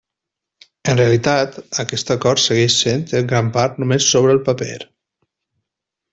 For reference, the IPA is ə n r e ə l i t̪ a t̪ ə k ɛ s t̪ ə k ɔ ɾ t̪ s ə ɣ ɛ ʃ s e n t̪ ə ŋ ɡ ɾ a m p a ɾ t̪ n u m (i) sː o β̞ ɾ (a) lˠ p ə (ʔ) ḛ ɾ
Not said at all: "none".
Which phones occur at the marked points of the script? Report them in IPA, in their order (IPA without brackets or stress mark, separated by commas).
e, ə, p